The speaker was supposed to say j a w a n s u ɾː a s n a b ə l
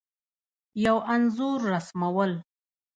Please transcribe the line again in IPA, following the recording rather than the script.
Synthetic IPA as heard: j a w a n z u ɾː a s m a w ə l